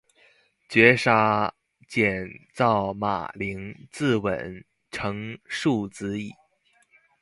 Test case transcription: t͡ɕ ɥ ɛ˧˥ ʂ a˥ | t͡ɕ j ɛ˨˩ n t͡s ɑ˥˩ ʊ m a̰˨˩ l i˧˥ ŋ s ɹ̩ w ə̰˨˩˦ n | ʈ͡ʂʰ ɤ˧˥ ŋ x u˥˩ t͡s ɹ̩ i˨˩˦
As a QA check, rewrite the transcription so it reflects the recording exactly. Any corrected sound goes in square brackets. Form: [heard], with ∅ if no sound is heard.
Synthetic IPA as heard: t͡ɕ ɥ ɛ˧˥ ʂ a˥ | t͡ɕ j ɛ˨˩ n t͡s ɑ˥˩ ʊ m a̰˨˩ l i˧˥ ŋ [t͡s] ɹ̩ w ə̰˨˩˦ n | ʈ͡ʂʰ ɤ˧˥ ŋ [ʂ] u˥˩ t͡s ɹ̩ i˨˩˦